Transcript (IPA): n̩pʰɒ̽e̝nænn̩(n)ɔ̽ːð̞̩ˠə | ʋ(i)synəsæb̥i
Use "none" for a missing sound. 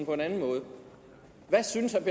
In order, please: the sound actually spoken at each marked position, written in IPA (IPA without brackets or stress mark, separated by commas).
m, æ